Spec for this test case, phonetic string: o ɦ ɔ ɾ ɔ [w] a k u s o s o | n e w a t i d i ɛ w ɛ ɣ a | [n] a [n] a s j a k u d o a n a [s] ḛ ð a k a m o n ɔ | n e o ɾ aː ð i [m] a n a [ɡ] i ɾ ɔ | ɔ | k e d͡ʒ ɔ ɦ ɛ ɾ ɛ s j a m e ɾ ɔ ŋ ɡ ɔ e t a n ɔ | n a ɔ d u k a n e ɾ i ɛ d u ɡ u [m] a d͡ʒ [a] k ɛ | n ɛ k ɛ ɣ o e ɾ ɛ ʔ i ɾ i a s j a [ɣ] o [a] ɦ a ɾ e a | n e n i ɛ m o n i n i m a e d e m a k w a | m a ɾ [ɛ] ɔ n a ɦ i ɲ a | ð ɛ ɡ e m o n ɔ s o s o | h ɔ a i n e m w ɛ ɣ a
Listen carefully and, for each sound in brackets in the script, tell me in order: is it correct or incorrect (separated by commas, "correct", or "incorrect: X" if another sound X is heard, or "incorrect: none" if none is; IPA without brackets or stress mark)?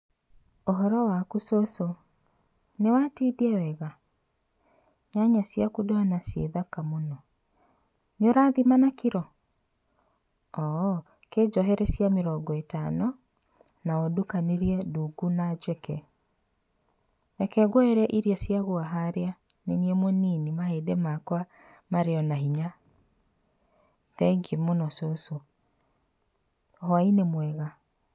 correct, incorrect: ɲ, incorrect: ɲ, correct, correct, incorrect: k, incorrect: n, incorrect: ɛ, correct, correct, incorrect: e